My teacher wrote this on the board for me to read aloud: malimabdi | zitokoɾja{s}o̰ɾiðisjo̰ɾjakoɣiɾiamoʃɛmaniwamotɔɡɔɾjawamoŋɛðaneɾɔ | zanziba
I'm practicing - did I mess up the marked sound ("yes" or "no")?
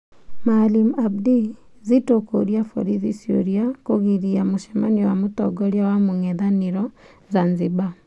yes